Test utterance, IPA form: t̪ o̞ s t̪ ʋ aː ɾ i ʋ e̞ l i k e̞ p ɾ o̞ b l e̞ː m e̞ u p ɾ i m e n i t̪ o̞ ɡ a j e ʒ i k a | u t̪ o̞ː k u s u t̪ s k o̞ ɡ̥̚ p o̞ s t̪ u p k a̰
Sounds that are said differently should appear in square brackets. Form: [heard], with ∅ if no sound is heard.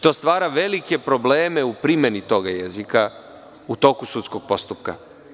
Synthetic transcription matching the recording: t̪ o̞ s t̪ ʋ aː ɾ [a] ʋ e̞ l i k e̞ p ɾ o̞ b l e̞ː m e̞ u p ɾ i m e n i t̪ o̞ ɡ a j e [z] i k a | u t̪ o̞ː k u s u t̪ s k o̞ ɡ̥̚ p o̞ s t̪ u p k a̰